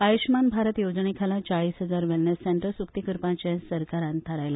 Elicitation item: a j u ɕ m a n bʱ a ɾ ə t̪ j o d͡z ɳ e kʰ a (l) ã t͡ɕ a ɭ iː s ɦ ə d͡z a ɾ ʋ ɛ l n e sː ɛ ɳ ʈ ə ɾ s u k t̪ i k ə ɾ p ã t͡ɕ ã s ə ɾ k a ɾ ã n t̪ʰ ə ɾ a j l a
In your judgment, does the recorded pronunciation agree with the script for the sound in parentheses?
yes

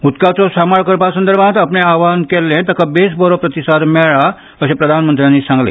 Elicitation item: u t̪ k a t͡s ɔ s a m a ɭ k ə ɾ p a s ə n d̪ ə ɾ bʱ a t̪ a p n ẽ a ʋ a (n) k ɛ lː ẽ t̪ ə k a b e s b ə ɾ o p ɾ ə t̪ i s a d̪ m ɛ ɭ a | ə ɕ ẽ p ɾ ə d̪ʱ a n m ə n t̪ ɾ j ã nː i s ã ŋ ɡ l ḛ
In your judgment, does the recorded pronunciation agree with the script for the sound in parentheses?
yes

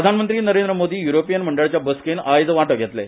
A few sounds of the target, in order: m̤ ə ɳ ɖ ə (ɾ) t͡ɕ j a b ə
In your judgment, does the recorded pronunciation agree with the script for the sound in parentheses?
no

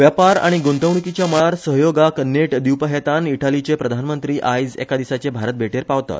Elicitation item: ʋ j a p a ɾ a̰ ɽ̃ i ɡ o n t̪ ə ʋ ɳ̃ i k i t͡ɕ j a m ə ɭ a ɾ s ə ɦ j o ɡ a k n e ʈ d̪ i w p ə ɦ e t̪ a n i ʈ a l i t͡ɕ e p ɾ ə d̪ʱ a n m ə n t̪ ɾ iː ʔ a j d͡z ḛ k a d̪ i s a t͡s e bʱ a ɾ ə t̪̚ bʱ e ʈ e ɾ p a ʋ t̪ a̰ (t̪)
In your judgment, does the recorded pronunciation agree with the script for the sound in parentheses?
yes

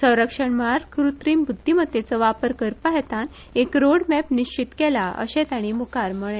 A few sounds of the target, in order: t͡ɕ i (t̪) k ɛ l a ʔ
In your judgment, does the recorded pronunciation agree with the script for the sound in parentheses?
yes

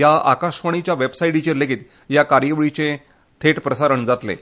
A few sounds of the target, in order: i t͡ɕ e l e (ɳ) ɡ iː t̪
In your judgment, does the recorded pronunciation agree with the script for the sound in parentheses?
no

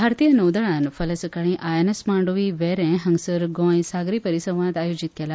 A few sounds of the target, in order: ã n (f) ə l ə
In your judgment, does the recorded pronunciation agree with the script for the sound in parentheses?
yes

